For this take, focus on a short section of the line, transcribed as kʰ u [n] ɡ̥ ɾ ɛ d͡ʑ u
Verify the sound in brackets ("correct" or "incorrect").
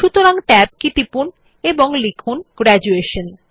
correct